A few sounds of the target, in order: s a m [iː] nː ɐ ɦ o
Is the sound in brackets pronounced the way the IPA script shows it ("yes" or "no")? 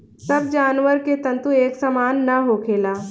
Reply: no